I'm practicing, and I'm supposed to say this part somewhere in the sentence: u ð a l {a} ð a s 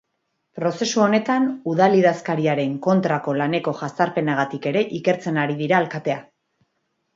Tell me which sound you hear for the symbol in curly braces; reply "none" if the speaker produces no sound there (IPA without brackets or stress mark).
i